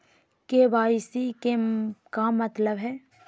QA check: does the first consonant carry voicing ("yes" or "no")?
no